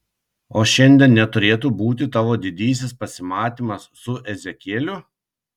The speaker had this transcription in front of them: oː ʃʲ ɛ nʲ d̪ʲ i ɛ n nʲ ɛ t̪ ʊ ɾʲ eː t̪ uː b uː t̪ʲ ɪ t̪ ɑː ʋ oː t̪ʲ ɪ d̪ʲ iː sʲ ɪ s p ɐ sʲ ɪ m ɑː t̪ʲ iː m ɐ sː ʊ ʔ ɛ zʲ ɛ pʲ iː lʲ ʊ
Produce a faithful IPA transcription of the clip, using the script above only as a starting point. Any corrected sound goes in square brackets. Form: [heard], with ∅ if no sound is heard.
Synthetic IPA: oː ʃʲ ɛ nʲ d̪ʲ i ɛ n nʲ ɛ t̪ ʊ ɾʲ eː t̪ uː b uː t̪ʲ ɪ t̪ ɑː ʋ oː [d̪ʲ] ɪ d̪ʲ iː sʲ ɪ s p ɐ sʲ ɪ m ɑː t̪ʲ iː m ɐ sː ʊ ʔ ɛ zʲ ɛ [kʲ] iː lʲ ʊ